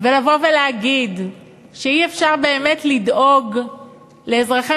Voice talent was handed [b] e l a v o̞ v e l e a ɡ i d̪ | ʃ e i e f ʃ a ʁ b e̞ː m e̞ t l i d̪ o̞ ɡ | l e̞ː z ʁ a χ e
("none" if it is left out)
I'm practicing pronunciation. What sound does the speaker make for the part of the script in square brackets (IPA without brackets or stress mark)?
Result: v